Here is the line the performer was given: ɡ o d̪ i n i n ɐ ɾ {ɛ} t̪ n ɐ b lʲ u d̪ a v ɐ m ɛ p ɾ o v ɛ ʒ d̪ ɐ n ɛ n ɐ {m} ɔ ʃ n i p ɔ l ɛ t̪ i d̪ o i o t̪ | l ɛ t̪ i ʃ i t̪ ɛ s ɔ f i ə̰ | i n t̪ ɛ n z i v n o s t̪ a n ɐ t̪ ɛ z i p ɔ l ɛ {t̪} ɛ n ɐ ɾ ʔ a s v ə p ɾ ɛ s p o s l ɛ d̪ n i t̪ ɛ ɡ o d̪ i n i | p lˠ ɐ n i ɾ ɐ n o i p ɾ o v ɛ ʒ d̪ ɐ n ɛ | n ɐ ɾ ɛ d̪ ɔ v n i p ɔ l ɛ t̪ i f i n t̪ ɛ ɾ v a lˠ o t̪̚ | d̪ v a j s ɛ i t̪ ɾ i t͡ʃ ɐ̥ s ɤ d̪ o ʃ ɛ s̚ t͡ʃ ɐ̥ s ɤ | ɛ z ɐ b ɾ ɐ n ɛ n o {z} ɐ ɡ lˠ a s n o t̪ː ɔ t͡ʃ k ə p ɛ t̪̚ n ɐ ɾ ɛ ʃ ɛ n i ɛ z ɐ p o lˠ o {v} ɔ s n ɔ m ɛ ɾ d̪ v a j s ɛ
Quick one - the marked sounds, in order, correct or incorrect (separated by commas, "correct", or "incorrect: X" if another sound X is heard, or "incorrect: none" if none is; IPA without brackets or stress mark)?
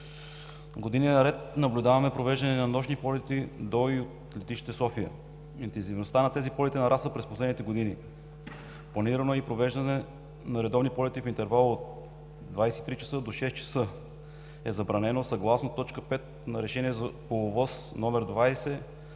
correct, incorrect: n, correct, incorrect: s, correct